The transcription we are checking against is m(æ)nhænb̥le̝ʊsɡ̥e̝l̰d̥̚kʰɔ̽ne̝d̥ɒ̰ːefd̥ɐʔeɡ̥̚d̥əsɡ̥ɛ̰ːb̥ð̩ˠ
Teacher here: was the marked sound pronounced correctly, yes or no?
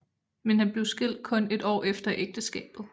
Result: no